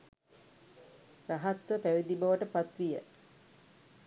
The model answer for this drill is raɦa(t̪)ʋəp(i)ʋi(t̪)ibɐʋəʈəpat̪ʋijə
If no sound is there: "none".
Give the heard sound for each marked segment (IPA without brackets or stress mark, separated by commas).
t̪, æ, d̪